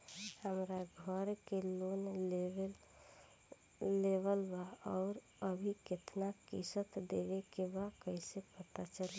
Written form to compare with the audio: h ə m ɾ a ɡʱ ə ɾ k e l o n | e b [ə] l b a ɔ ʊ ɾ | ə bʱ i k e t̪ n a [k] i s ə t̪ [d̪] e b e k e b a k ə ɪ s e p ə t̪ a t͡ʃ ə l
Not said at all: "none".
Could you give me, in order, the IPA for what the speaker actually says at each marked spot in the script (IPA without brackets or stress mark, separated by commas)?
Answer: ə, k, d̪